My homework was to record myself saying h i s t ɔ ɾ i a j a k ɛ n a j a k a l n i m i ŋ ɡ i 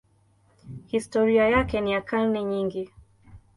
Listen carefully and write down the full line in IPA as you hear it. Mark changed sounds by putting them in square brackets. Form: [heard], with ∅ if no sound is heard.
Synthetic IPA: h i s t ɔ ɾ i a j a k ɛ n [i] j a k a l n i [ɲ] i ŋ ɡ i